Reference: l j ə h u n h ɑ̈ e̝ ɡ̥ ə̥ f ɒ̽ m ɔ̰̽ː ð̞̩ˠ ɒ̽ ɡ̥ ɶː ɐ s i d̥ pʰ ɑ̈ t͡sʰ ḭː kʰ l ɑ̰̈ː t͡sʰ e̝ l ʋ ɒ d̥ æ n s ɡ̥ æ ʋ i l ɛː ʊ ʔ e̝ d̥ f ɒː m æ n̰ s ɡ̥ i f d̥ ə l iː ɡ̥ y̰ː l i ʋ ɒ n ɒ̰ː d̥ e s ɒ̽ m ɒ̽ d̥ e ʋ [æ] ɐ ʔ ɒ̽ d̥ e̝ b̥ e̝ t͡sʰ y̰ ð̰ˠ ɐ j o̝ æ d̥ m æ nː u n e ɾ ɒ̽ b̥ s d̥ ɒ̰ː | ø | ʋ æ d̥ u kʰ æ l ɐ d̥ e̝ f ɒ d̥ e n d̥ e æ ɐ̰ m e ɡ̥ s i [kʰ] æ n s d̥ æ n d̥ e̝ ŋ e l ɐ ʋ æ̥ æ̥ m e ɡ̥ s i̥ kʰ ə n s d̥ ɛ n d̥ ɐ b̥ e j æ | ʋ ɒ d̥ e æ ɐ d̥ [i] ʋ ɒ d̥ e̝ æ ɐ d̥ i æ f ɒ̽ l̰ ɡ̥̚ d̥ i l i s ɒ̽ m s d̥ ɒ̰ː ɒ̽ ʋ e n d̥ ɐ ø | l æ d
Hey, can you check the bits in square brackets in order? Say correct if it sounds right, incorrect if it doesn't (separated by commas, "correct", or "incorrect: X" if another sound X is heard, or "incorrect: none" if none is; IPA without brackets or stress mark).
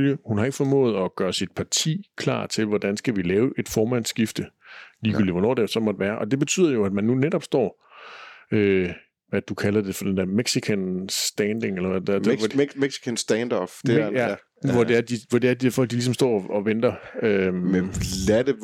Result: incorrect: æː, correct, correct